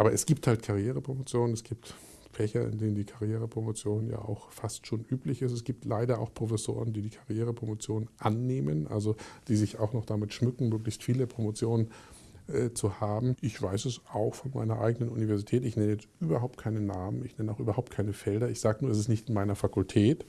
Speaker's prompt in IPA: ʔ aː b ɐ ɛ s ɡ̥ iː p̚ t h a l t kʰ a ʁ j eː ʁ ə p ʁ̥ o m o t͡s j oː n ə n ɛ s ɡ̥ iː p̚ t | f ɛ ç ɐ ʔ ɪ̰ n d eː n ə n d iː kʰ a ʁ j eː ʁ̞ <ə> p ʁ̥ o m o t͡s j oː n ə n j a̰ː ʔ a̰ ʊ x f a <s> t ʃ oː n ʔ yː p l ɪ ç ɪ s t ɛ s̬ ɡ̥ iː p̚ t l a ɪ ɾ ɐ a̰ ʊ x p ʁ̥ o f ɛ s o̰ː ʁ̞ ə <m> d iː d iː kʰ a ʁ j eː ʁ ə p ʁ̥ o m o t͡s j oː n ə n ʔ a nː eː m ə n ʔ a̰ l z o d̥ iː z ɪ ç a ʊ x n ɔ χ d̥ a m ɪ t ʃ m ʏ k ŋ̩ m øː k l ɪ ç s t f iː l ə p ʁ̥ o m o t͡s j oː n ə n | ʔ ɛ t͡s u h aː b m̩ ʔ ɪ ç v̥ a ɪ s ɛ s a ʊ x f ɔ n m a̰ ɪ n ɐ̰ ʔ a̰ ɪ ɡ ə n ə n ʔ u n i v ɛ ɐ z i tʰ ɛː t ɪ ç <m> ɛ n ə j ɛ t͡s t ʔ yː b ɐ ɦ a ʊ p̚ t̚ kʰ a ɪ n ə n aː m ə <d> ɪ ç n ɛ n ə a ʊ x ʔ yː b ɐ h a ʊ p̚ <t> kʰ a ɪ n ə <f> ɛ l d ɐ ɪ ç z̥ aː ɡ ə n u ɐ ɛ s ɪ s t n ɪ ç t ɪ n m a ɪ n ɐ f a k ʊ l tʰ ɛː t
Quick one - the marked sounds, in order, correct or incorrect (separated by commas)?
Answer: correct, correct, incorrect, incorrect, incorrect, correct, correct